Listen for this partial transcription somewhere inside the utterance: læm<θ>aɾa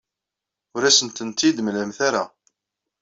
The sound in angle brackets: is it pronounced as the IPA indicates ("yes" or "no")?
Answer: yes